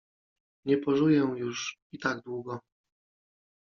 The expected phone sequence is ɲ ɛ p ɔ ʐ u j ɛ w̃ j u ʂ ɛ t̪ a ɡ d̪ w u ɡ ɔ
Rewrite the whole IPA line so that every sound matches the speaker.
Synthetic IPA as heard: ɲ ɛ p ɔ ʐ u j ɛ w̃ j u ʂ i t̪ a ɡ d̪ w u ɡ ɔ